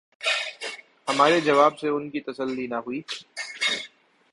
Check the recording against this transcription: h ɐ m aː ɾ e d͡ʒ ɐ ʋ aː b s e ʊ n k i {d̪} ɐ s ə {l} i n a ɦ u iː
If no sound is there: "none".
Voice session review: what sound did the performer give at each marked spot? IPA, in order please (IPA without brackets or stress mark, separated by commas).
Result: t̪, lː